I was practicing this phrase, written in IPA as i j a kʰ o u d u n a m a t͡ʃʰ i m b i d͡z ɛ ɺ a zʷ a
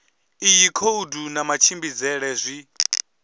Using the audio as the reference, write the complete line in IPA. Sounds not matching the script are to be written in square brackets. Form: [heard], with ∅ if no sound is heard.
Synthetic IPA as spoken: i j [i] kʰ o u d u n a m a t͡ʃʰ i m b i d͡z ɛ ɺ [ɛ] zʷ [i]